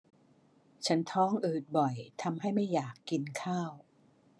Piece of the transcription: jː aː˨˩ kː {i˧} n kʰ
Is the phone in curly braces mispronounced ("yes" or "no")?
no